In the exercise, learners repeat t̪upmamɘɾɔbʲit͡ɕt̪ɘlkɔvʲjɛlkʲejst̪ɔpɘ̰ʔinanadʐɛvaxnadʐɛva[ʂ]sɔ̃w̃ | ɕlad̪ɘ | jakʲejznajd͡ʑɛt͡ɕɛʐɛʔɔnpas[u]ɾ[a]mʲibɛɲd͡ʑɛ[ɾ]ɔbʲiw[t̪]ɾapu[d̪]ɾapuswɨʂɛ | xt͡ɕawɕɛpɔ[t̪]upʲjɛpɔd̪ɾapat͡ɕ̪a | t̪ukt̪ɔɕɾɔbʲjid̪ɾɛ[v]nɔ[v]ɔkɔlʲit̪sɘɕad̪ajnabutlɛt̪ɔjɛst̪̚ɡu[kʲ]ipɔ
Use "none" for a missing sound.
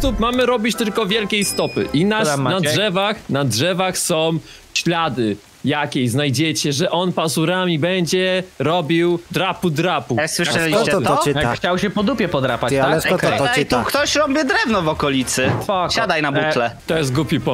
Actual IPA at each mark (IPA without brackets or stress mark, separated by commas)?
x, u, a, ɾ, d̪, d̪, d̪, v, v, pʲ